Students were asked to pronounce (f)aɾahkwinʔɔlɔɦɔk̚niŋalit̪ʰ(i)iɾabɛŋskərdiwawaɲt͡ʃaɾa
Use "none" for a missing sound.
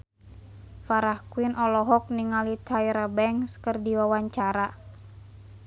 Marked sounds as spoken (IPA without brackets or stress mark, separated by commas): f, a